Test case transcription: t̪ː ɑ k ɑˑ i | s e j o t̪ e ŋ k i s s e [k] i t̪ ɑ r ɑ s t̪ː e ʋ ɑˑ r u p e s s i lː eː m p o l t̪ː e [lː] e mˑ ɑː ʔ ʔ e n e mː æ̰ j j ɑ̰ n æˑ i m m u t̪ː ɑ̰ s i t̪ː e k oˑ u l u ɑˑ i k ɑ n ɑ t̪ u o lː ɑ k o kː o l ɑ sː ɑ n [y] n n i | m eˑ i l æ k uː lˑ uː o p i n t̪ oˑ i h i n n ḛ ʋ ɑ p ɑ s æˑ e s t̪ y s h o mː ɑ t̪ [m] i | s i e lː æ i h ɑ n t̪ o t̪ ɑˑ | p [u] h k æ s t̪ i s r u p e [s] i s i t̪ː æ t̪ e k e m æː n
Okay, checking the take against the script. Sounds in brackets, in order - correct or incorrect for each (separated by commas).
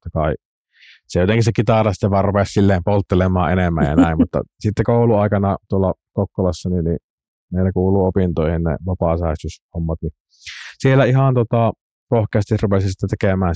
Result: correct, incorrect, incorrect, incorrect, incorrect, correct